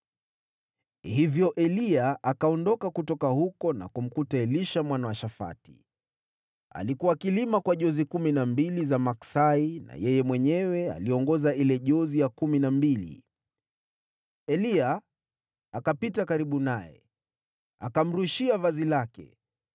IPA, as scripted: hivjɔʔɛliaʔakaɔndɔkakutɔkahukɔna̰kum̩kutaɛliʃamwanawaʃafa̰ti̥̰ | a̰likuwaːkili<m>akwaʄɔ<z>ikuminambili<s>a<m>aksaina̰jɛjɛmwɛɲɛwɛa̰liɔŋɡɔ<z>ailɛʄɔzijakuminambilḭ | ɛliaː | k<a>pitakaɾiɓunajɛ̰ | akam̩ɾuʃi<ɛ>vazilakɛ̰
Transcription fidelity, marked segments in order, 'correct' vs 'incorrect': correct, correct, incorrect: z, correct, correct, correct, incorrect: a

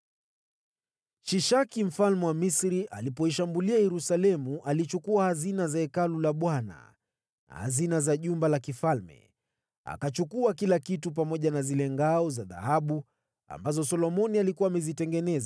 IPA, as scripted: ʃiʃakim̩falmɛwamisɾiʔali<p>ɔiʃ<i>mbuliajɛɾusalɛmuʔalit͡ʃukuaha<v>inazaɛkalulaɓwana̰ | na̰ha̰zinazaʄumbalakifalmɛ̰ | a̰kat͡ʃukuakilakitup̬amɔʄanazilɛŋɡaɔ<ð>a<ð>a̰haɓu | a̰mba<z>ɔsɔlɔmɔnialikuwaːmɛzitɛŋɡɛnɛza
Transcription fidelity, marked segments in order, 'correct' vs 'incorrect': correct, incorrect: a, incorrect: z, incorrect: z, correct, correct

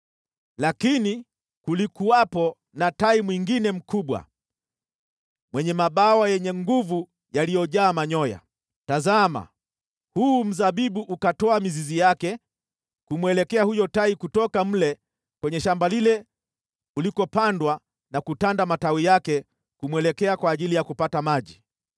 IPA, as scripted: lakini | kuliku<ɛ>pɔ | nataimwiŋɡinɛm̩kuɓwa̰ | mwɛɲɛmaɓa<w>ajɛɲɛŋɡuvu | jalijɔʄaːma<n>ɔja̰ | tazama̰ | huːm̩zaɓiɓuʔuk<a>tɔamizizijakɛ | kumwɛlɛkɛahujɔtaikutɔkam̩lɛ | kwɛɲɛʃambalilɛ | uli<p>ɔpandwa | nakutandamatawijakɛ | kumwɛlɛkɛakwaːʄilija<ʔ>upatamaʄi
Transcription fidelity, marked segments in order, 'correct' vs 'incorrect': incorrect: a, correct, incorrect: ɲ, correct, incorrect: k, incorrect: k

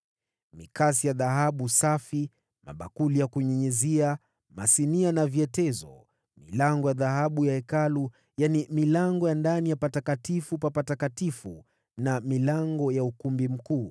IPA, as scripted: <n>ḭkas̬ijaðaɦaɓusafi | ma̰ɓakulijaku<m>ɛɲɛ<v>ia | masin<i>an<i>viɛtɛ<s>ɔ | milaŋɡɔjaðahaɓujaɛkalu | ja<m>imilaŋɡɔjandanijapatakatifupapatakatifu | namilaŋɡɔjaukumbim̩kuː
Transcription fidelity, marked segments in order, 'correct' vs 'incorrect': incorrect: m, incorrect: ɲ, incorrect: z, correct, incorrect: a, incorrect: z, incorrect: n

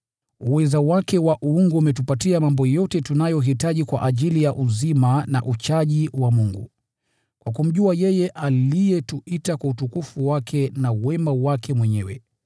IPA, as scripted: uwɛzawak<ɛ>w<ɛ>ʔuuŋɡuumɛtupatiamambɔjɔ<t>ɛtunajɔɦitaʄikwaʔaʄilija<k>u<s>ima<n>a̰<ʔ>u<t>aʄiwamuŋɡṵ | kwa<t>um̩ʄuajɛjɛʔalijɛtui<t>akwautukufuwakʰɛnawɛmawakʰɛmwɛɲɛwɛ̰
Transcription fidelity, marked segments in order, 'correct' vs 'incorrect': correct, incorrect: a, correct, incorrect: ʔ, incorrect: z, correct, correct, incorrect: t͡ʃ, incorrect: k, correct

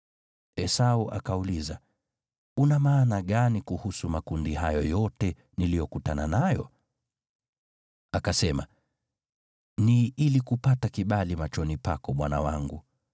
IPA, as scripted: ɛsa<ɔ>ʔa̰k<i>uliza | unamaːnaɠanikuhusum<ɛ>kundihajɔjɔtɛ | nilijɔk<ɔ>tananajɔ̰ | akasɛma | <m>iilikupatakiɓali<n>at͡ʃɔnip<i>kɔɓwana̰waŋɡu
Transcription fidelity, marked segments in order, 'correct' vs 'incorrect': incorrect: u, incorrect: a, incorrect: a, incorrect: u, incorrect: n, incorrect: m, incorrect: a

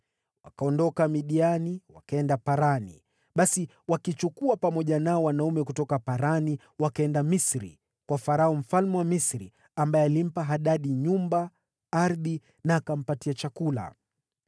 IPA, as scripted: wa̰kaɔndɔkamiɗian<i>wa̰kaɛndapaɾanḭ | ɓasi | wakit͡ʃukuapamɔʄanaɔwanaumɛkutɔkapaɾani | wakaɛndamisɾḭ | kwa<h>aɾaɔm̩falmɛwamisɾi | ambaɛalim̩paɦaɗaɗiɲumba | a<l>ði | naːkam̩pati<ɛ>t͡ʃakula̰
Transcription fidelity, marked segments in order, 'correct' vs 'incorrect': correct, incorrect: f, incorrect: ɾ, incorrect: a

